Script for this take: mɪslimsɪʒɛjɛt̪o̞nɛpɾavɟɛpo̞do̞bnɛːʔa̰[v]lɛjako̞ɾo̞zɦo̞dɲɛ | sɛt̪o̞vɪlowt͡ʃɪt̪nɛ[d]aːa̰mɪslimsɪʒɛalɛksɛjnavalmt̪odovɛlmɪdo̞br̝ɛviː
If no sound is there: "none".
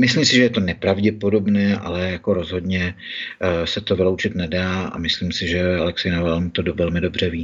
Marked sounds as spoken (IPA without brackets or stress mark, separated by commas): none, d